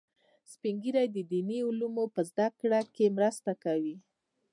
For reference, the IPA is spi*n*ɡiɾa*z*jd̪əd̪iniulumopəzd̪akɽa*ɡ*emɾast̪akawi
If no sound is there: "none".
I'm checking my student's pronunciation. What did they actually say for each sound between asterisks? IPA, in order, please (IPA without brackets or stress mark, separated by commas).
ŋ, none, k